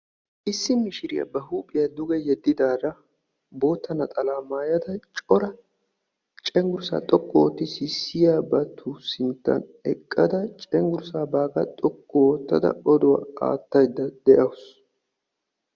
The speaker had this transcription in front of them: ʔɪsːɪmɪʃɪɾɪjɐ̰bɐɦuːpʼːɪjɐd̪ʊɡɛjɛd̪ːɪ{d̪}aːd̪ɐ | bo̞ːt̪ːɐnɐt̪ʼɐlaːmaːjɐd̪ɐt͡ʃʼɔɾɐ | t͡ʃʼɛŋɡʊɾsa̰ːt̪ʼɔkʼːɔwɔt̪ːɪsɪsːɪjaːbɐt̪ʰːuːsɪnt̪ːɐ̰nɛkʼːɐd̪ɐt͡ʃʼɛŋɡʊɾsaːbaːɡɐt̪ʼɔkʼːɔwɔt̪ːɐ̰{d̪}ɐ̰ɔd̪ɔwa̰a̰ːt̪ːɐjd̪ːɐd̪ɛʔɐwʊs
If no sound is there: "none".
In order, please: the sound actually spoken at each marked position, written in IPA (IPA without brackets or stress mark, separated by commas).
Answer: d̪, d̪